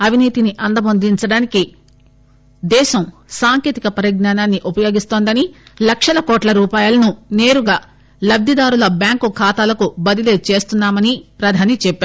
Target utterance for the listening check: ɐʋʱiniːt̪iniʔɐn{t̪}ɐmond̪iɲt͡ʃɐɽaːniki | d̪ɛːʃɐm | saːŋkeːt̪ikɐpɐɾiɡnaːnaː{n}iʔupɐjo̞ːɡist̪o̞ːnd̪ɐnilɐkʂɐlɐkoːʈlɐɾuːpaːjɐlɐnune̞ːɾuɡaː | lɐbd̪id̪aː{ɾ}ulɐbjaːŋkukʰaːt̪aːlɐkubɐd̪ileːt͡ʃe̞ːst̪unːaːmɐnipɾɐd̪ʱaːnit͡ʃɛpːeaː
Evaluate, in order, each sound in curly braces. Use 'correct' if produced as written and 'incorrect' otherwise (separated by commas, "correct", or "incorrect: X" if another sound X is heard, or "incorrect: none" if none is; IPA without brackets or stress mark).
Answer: incorrect: d̪, incorrect: nː, correct